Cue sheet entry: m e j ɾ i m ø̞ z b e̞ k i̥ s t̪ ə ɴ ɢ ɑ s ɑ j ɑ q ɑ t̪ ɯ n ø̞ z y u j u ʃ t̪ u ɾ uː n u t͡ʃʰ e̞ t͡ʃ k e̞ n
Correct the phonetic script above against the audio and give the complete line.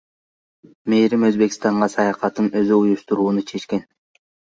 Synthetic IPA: m e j ɾ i m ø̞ z b e̞ k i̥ s t̪ ɑ ɴ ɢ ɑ s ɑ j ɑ q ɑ t̪ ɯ n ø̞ z y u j u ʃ t̪ u ɾ uː n u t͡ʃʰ e̞ t͡ʃ k e̞ n